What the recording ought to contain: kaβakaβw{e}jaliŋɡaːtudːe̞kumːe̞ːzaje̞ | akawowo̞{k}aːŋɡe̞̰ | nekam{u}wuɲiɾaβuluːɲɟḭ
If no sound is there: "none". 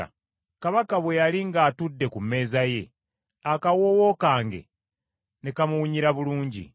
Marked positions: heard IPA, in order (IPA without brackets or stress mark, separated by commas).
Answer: e, k, u